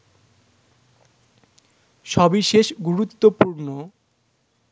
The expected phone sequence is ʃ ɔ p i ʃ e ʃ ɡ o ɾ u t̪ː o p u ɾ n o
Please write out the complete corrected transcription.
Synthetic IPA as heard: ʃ ɔ b i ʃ e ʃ ɡ u ɾ u t̪ː o p u ɾ n o